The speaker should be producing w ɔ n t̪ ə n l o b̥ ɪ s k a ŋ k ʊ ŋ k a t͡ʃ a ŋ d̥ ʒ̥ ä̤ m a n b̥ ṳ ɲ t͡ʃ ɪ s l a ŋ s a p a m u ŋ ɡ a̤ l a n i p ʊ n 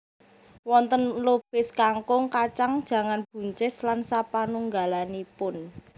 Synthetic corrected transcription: w ɔ n t̪ ə n l o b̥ ɪ s k a ŋ k ʊ ŋ k a t͡ʃ a ŋ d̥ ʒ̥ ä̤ ŋ a n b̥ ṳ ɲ t͡ʃ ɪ s l a n s a p a n u ŋ ɡ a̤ l a n i p ʊ n